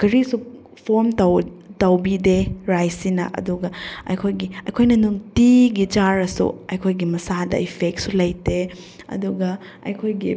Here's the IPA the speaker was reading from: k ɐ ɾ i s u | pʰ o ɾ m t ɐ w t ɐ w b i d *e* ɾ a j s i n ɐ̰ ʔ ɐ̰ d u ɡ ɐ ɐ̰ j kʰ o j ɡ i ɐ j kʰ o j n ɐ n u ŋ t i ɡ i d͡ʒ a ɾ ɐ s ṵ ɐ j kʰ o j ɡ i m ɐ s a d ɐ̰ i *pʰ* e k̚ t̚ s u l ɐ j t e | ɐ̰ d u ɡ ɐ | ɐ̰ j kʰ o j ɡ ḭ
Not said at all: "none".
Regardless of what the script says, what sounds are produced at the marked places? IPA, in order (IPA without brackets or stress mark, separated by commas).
e, pʰ